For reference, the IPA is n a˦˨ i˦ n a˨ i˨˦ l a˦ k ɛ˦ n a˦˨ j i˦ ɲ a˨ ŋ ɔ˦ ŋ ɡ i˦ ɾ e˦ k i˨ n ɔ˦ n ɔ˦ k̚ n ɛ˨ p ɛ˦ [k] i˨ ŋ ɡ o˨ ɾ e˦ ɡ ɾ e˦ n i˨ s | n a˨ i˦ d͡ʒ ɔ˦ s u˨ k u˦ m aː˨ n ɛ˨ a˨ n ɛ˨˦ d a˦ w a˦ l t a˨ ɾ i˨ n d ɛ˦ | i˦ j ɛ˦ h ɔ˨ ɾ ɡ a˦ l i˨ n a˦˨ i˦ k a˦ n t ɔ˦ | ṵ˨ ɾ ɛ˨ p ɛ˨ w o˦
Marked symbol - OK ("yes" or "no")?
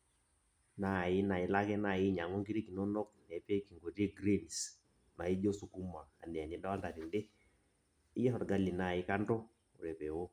yes